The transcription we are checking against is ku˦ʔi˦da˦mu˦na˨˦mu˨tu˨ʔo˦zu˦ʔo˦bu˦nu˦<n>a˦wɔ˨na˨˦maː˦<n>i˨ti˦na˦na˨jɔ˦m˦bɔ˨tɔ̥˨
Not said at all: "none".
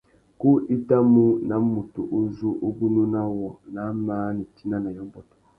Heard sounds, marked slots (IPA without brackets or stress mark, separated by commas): n, n